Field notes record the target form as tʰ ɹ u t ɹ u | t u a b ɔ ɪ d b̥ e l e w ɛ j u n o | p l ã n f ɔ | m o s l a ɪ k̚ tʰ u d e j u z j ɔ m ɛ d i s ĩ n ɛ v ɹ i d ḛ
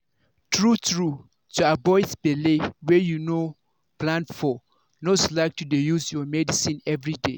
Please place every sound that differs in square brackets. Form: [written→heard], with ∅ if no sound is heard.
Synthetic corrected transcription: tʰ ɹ u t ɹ u | t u a b ɔ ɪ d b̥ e l e w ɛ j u n o | p l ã n f ɔ | [m→n] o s l a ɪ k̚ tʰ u d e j u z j ɔ m ɛ d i s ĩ n ɛ v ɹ i d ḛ